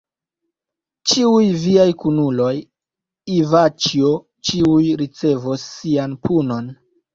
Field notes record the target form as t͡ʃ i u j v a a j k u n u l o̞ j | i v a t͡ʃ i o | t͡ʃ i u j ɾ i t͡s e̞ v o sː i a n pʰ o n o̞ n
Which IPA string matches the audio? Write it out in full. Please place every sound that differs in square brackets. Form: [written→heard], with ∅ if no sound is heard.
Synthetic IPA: t͡ʃ i u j v [a→i] a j k u n u l o̞ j | i v a t͡ʃ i o | t͡ʃ i u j ɾ i t͡s e̞ v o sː i a n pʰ [o→u] n o̞ n